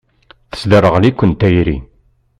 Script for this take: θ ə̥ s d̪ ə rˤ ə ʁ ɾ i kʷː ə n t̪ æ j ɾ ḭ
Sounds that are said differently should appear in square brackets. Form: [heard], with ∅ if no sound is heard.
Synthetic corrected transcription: θ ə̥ s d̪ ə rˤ ə ʁ [l] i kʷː ə n t̪ æ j ɾ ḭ